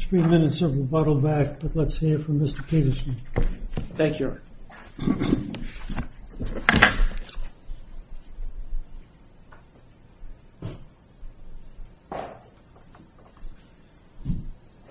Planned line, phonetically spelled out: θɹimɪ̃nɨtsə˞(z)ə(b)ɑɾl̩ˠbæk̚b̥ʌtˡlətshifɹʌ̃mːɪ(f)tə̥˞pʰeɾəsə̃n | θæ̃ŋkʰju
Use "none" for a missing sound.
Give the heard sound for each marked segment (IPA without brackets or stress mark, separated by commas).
v, b, s